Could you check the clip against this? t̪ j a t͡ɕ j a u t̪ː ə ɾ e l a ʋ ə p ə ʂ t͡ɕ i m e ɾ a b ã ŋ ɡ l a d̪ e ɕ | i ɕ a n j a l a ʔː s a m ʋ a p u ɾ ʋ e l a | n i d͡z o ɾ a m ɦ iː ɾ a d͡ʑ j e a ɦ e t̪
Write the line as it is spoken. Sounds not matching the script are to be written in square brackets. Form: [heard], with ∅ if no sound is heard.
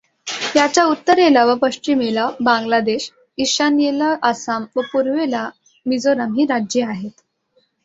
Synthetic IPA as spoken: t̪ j a t͡ɕ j a u t̪ː ə ɾ e l a ʋ ə p ə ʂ t͡ɕ i m e [l] a b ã ŋ ɡ l a d̪ e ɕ | i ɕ a n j [e] l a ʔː s a m ʋ [ə] p u ɾ ʋ e l a | [m] i d͡z o ɾ a m ɦ iː ɾ a d͡ʑ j e a ɦ e t̪